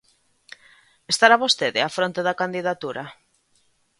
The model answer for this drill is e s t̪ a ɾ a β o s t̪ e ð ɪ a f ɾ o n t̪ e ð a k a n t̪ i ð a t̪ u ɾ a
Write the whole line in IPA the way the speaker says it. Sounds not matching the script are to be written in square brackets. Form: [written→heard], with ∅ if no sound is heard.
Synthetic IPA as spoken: e s t̪ a ɾ a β o s t̪ e ð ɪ a f ɾ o n t̪ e ð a k a n [t̪→d̪] i ð a t̪ u ɾ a